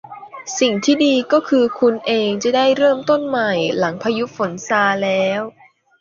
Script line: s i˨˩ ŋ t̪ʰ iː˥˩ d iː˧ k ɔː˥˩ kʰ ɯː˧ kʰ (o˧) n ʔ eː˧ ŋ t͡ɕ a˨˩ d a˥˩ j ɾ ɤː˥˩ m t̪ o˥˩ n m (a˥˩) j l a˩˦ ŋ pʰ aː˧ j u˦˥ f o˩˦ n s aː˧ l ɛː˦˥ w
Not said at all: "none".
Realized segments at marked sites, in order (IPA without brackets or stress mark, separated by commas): u˧, a˨˩